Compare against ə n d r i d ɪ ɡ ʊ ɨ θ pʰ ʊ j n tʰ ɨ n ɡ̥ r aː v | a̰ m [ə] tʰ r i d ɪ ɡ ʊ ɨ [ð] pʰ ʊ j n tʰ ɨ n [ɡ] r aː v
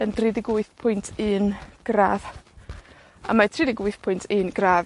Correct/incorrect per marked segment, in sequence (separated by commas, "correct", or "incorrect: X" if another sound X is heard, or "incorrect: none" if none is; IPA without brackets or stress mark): incorrect: a, incorrect: θ, correct